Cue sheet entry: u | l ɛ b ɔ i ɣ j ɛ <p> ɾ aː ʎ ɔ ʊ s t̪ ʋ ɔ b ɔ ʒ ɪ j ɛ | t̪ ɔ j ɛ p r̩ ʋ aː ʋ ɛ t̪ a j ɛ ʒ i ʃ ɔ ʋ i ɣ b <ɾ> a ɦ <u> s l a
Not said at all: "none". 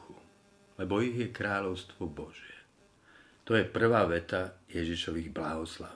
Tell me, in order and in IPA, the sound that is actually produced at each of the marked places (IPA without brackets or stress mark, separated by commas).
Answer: k, l, ɔ